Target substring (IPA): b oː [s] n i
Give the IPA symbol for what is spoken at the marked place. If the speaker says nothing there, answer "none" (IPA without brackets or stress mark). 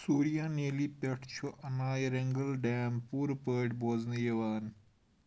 z